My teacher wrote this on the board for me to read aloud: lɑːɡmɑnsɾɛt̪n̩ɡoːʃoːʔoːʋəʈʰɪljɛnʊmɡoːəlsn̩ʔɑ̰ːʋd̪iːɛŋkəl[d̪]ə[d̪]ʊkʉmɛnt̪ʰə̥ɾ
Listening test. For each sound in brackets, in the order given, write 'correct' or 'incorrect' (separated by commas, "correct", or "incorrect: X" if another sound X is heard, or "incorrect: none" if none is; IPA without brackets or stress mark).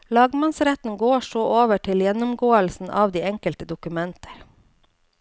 incorrect: t̪, correct